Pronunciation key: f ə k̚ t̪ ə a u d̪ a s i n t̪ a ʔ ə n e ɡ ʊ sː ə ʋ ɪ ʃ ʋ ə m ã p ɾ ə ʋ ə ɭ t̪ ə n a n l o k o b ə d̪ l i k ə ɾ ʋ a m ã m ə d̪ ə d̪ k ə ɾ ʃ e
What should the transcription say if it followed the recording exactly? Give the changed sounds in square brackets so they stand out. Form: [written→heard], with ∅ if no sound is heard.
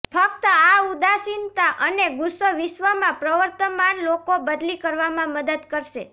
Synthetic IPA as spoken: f ə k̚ t̪ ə a u d̪ a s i n t̪ a ʔ ə n e ɡ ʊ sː ə ʋ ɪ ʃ ʋ ə m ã p ɾ ə ʋ ə [ɭ→ɾ] t̪ ə [n→m] a n l o k o b ə d̪ l i k ə ɾ ʋ a m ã m ə d̪ ə d̪ k ə ɾ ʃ e